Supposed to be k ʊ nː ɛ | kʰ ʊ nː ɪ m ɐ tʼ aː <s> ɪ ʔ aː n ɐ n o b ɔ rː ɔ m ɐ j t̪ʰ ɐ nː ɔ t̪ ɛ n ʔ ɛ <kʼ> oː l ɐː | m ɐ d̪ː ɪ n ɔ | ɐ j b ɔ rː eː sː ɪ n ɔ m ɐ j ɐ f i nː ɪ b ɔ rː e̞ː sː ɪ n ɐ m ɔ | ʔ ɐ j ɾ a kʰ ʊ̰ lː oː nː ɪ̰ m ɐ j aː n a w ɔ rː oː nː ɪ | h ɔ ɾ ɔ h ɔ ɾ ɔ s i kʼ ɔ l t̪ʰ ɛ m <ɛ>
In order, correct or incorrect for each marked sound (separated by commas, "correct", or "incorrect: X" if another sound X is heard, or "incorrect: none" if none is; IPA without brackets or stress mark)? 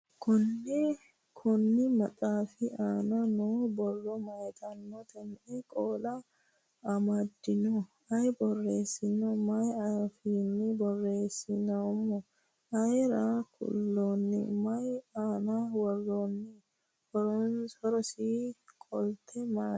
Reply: incorrect: f, correct, incorrect: a